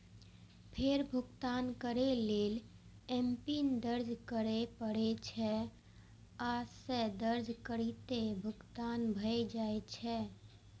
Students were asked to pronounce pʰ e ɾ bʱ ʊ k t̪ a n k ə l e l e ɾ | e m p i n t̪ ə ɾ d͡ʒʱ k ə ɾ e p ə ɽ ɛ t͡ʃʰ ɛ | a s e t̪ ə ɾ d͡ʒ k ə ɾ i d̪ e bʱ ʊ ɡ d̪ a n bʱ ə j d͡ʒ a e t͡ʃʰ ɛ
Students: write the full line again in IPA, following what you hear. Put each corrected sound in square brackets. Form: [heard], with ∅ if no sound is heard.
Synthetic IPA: pʰ e ɾ bʱ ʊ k t̪ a n k ə [ɾ] e l e [l] | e m p i n [d̪] ə ɾ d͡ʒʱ k ə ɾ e p ə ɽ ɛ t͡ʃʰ ɛ | a s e [d̪] ə ɾ d͡ʒ k ə ɾ i [t̪] e bʱ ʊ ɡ [t̪] a n bʱ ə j d͡ʒ a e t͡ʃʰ ɛ